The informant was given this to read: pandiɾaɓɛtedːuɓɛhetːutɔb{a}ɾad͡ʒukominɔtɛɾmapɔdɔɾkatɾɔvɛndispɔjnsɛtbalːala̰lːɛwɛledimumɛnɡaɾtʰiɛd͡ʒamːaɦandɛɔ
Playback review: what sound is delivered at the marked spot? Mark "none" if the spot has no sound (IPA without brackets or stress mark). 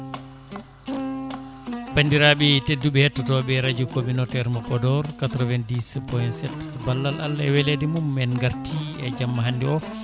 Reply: ɛ